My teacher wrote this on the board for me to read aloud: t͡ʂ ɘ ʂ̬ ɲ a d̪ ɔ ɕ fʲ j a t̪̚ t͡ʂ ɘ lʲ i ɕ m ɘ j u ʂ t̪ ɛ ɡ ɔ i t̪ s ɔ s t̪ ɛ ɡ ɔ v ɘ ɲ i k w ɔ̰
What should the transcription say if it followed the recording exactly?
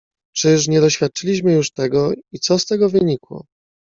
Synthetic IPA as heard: t͡ʂ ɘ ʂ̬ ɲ ɛ d̪ ɔ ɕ fʲ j a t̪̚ t͡ʂ ɘ lʲ i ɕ m ɘ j u ʂ t̪ ɛ ɡ ɔ i t̪ s ɔ s t̪ ɛ ɡ ɔ v ɘ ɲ i k w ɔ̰